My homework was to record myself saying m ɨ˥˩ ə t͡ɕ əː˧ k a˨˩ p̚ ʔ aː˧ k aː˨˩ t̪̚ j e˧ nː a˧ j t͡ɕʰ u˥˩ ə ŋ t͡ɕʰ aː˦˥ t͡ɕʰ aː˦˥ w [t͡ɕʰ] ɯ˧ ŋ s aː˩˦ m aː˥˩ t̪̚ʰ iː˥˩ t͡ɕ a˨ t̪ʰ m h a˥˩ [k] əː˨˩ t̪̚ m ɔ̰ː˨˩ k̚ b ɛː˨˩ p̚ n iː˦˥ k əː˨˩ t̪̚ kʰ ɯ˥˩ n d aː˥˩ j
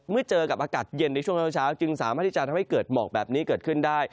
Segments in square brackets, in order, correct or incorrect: incorrect: t͡ɕ, correct

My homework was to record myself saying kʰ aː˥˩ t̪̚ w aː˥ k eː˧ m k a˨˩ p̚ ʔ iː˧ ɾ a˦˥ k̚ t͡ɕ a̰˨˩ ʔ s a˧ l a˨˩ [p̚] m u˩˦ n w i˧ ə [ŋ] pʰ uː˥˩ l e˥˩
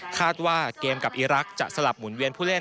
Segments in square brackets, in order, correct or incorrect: correct, incorrect: n

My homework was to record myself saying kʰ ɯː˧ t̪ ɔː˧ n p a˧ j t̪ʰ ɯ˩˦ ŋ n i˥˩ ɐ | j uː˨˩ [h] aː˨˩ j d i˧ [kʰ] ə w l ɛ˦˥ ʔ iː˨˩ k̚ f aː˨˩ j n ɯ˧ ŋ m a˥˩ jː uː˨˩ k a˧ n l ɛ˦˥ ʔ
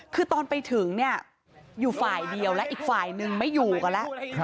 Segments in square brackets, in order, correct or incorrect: incorrect: f, incorrect: none

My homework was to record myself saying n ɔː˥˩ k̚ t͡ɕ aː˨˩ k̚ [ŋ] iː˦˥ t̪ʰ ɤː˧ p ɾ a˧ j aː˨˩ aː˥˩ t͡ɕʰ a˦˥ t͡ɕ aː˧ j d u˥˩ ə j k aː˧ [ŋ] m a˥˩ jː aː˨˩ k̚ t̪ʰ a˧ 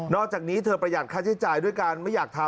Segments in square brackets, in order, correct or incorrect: incorrect: n, incorrect: n

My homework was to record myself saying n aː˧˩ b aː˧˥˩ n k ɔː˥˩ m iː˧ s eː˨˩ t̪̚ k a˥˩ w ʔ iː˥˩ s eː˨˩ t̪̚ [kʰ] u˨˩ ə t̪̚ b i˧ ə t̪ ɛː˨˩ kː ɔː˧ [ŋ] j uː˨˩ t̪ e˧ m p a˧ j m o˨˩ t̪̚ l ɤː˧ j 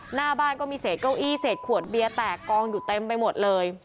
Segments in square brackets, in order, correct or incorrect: correct, correct

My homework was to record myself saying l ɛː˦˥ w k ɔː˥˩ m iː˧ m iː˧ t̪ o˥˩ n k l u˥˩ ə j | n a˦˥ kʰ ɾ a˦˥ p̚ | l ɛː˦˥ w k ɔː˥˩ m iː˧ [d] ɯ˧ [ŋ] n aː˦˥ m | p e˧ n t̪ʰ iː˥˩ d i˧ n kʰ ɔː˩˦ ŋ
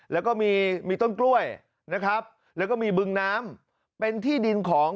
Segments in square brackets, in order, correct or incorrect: incorrect: b, correct

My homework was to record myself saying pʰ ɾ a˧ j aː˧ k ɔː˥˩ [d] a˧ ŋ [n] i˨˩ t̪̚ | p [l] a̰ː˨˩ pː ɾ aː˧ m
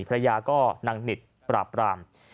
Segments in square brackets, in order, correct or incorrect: incorrect: n, correct, incorrect: ɾ

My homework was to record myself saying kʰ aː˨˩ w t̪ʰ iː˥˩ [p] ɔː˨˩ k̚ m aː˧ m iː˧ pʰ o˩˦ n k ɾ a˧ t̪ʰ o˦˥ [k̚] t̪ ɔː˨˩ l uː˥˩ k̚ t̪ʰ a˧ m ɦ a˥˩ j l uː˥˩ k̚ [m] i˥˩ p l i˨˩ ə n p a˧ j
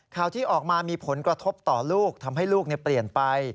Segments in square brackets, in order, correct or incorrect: incorrect: ʔ, incorrect: p̚, incorrect: n

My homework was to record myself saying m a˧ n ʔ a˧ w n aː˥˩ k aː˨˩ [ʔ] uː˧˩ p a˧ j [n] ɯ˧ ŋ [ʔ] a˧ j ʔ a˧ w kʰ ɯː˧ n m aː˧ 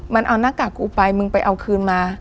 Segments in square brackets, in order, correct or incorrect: incorrect: k, incorrect: m, incorrect: p

